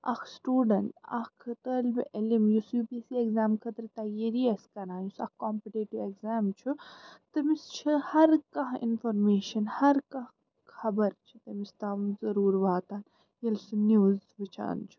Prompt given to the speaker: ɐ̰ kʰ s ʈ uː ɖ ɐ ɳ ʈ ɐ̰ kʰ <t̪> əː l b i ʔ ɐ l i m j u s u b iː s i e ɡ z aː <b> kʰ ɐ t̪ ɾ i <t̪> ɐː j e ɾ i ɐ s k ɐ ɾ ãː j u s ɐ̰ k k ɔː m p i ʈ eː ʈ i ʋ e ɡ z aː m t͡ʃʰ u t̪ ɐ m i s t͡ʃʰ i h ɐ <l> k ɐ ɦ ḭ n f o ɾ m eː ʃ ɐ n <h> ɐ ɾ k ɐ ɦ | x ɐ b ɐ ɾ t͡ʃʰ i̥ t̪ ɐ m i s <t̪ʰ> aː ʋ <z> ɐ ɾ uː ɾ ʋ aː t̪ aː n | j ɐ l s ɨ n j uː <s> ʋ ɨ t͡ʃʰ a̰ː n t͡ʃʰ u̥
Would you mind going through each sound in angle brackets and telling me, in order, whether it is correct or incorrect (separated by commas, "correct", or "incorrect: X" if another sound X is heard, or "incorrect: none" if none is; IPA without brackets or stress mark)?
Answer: correct, incorrect: m, correct, incorrect: ɾ, correct, incorrect: t̪, correct, incorrect: z